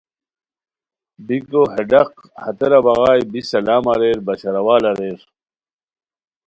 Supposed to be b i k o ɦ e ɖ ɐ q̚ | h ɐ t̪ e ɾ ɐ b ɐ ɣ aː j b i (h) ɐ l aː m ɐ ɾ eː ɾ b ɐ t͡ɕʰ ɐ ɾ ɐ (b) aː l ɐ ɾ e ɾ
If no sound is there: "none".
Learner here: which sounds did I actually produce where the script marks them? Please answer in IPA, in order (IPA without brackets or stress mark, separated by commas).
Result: s, w